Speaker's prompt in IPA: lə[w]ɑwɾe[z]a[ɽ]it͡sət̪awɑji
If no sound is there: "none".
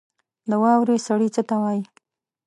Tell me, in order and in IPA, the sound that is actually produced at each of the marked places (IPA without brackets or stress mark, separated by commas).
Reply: w, s, ɽ